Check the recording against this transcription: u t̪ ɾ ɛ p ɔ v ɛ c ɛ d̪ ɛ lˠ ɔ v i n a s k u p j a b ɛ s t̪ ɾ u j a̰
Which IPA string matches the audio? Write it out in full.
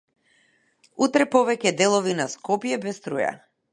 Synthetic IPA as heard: u t̪ ɾ ɛ p ɔ v ɛ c ɛ d̪ ɛ lˠ ɔ v i n a s k ɔ p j ɛ b ɛ s t̪ ɾ u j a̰

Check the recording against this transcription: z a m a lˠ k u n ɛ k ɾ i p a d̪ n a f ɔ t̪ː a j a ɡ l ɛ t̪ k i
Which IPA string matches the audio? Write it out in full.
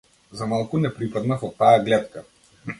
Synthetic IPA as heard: z a m a lˠ k u n ɛ p ɾ i p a d̪ n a f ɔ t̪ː a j a ɡ l ɛ t̪ k a

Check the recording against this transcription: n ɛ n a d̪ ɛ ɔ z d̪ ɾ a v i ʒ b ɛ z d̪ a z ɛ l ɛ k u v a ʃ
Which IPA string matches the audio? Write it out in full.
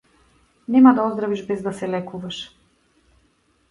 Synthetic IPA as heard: n ɛ m a d̪ a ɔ z d̪ ɾ a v i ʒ b ɛ z d̪ a s ɛ l ɛ k u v a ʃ

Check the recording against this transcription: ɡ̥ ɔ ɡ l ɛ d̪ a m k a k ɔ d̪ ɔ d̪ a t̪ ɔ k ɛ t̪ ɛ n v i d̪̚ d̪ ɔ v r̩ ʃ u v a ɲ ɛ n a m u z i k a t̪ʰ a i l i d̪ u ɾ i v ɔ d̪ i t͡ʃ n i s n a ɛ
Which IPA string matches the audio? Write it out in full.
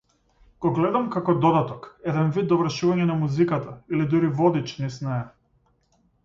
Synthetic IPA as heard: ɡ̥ ɔ ɡ l ɛ d̪ a m k a k ɔ d̪ ɔ d̪ a t̪ ɔ k ɛ d̪ ɛ n v i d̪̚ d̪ ɔ v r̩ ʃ u v a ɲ ɛ n a m u z i k a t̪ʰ a i l i d̪ u ɾ i v ɔ d̪ i t͡ʃ n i s n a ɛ

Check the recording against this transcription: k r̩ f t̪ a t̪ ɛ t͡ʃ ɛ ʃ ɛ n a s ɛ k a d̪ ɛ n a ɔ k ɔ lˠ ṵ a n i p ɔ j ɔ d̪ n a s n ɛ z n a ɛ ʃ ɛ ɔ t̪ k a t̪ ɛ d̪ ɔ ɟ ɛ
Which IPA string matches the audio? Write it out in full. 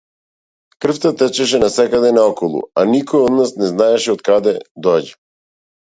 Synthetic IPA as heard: k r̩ f t̪ a t̪ ɛ t͡ʃ ɛ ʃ ɛ n a s ɛ k a d̪ ɛ n a ɔ k ɔ lˠ ṵ a n i k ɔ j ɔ d̪ n a s n ɛ z n a ɛ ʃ ɛ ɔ t̪ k a d̪ ɛ d̪ ɔ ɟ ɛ

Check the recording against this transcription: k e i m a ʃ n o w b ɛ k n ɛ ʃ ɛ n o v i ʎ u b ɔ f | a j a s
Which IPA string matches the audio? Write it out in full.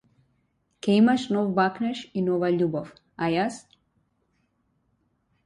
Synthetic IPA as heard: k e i m a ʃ n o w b a k n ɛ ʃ i n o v a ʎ u b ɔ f | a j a s

